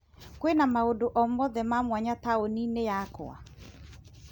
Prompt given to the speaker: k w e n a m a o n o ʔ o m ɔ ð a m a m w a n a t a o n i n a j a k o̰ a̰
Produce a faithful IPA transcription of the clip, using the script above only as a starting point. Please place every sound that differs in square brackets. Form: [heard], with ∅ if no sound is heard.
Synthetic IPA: k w e n a m a o [d] o ʔ [ɔ] m ɔ ð [ɛ] m a m w a [ɲ] a t a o n i n [e] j a k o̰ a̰